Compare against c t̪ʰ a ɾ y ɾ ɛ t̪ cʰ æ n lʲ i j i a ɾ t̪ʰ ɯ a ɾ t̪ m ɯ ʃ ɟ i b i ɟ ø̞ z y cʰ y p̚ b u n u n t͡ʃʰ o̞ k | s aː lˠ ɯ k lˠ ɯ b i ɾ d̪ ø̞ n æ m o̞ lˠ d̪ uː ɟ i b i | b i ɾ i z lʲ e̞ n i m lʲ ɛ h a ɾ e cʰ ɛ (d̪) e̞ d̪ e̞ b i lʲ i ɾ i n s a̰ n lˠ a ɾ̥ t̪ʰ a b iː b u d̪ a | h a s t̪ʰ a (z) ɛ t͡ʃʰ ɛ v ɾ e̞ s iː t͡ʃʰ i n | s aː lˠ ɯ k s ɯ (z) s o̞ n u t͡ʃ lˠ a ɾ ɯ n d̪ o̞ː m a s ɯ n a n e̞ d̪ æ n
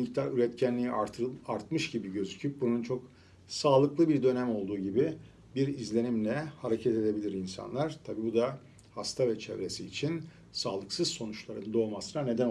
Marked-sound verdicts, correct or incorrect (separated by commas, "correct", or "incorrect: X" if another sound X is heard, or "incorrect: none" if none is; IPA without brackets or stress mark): incorrect: t̪, incorrect: v, correct